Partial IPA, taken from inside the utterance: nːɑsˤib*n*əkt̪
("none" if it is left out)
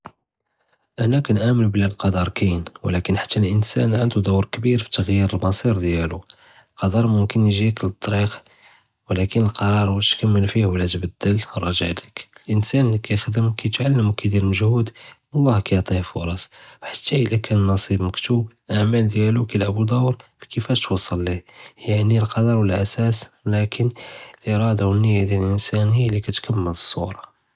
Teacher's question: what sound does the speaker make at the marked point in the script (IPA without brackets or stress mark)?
m